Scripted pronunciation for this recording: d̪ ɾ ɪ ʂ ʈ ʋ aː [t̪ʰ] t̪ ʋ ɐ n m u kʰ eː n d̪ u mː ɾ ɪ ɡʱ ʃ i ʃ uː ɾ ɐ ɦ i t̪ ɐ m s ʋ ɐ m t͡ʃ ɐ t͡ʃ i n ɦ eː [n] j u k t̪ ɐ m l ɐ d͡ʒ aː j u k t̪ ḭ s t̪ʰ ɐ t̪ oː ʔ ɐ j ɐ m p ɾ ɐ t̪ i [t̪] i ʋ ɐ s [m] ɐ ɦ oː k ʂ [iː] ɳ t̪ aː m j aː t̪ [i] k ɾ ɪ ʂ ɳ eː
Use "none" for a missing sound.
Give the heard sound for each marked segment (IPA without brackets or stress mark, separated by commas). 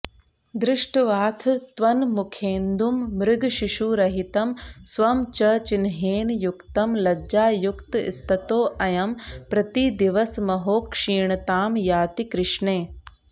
t̪ʰ, n, d̪, m, iː, i